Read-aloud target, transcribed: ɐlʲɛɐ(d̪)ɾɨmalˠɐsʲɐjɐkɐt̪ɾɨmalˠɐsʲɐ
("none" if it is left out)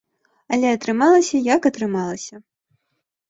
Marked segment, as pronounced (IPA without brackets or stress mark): t̪